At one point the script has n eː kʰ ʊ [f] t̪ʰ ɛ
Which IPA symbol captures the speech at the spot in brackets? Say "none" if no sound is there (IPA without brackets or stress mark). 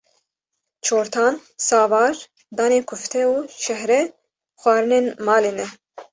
f